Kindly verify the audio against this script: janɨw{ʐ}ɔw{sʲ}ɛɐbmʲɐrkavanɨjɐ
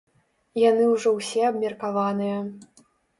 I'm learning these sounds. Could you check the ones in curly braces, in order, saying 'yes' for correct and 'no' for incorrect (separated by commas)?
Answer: yes, yes